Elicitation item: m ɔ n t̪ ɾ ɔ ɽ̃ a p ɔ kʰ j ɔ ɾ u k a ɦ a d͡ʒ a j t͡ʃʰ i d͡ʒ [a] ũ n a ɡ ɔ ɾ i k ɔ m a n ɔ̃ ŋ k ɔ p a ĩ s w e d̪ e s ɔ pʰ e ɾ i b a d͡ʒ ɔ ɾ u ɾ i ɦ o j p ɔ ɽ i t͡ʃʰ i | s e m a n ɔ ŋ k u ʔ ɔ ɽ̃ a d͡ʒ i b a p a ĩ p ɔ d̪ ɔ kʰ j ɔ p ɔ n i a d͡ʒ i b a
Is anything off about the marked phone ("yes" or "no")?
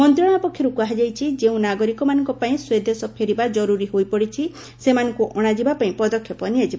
yes